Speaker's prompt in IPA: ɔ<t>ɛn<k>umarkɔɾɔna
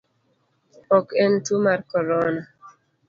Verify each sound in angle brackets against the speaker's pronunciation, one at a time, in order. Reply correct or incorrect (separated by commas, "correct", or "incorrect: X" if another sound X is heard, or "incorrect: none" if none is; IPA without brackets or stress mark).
incorrect: k, incorrect: t